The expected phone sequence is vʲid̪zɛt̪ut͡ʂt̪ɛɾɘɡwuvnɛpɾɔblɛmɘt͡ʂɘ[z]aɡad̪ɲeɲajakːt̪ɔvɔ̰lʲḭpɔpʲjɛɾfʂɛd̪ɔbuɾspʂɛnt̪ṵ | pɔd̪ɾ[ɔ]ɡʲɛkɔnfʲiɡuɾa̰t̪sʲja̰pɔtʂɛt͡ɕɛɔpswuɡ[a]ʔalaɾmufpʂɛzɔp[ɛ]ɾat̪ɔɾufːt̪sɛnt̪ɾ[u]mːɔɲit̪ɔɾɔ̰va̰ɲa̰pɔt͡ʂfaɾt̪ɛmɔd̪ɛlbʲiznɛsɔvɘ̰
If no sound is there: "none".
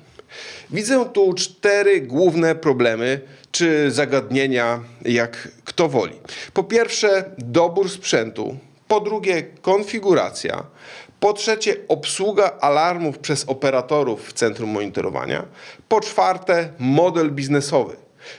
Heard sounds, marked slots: z, u, a, ɛ, u

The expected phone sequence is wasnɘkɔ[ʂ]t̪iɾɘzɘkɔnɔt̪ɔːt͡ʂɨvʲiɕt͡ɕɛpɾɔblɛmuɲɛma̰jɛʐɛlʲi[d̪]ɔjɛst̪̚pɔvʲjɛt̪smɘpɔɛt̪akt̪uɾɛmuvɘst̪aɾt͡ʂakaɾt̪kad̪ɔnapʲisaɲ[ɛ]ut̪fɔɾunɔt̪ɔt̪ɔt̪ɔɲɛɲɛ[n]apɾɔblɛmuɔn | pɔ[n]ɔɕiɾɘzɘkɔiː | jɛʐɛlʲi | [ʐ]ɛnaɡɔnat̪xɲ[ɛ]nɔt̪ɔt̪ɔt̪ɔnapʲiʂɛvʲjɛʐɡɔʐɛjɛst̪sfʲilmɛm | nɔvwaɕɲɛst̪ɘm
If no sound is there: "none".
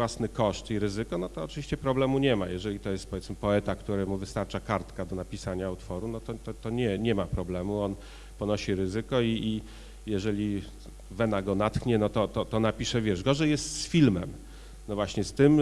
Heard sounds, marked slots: ʂ, t̪, a, m, n, v, ɛ

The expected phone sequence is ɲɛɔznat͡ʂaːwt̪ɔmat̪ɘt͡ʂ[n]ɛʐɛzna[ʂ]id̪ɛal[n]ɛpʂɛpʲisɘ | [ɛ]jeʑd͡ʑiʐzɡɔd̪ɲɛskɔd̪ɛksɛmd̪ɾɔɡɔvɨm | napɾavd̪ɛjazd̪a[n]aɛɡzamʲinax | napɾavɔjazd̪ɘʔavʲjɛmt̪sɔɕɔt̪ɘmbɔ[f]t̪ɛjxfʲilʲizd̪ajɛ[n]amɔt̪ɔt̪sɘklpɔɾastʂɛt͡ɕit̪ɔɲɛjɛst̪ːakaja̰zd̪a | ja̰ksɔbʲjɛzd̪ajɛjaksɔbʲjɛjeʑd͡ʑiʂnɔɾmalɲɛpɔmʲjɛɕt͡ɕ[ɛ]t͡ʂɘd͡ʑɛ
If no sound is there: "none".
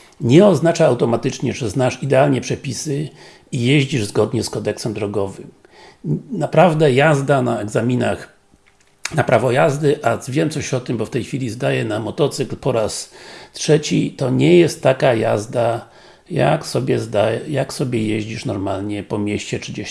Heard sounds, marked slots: ɲ, ʂ, ɲ, i, n, f, n, ɛ

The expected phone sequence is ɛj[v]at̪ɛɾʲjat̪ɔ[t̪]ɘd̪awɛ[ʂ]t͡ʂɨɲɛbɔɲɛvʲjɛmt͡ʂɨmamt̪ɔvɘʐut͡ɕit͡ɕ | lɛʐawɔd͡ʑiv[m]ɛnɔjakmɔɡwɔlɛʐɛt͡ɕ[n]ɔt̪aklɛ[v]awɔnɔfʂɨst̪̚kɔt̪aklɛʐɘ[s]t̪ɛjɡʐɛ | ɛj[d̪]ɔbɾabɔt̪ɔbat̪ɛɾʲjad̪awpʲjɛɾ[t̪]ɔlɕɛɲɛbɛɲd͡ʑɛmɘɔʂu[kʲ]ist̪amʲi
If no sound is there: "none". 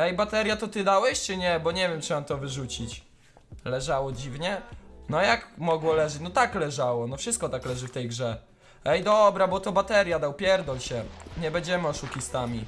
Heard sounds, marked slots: b, t̪, ɕ, ɲ, n, ʐ, f, d̪, d̪, kʲ

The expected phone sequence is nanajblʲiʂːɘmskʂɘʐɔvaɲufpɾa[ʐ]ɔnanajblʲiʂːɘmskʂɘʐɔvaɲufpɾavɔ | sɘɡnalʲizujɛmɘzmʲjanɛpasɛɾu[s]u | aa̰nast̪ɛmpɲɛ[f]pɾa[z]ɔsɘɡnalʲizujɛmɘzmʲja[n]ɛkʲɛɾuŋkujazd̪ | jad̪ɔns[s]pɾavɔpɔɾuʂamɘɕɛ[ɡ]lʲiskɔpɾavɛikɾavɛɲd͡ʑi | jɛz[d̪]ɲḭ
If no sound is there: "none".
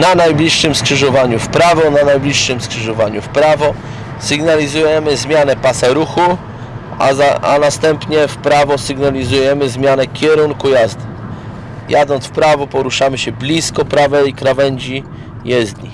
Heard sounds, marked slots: v, x, f, v, n, f, b, d̪

